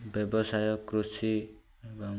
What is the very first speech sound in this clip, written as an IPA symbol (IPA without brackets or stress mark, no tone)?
b